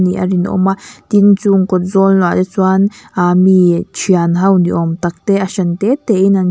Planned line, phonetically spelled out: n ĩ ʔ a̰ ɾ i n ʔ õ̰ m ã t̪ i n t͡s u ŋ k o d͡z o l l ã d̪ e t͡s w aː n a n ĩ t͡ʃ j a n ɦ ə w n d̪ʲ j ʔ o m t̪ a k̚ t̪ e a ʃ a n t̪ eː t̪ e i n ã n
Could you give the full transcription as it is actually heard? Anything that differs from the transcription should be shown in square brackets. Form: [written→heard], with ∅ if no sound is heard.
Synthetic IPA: n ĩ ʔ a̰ ɾ i n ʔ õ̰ m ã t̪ i n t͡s u ŋ k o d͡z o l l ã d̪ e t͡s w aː n a [n→m] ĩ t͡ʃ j a n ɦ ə w n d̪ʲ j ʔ o m t̪ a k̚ t̪ e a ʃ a n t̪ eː t̪ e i n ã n